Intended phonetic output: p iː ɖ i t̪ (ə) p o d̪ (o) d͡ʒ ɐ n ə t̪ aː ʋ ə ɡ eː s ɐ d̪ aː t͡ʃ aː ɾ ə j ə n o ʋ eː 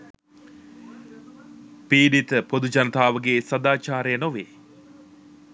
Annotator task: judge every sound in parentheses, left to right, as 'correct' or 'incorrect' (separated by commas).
correct, incorrect